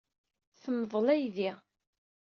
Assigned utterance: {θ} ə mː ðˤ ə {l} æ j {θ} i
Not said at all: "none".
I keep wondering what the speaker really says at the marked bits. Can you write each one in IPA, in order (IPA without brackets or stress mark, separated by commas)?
θ, l, ð